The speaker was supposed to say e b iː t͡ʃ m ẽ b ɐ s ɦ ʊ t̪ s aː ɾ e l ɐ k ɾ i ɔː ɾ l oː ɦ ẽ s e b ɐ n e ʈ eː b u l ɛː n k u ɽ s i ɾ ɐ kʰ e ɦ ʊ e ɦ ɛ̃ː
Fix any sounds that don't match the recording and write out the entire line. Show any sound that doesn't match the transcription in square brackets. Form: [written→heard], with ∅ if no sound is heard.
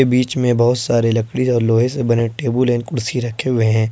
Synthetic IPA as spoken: e b iː t͡ʃ m ẽ b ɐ [s→∅] ɦ ʊ t̪ s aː ɾ e l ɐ k [ɾ→ɽ] i ɔː ɾ l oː ɦ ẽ s e b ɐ n e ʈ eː b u l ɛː n k [u→ʊ] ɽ s i ɾ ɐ kʰ e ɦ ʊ e ɦ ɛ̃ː

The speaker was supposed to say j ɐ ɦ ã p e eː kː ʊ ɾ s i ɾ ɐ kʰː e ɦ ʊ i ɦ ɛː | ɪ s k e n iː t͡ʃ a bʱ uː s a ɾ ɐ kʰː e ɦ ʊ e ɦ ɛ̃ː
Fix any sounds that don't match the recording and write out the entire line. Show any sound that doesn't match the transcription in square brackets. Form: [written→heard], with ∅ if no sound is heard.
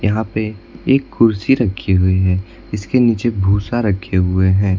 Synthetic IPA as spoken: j ɐ ɦ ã p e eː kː ʊ ɾ s i ɾ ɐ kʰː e ɦ ʊ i ɦ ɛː | ɪ s k e n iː t͡ʃ [a→e] bʱ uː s a ɾ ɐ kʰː e ɦ ʊ e ɦ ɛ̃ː

